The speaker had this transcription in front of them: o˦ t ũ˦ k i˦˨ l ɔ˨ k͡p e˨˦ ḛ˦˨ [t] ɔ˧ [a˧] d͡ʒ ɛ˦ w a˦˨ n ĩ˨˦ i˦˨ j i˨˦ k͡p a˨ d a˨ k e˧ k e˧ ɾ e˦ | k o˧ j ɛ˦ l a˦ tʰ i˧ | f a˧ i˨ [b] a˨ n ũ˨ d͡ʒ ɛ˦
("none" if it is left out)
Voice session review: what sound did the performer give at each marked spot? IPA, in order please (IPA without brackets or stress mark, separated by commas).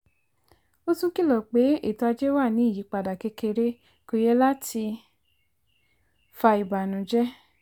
t, a˧, b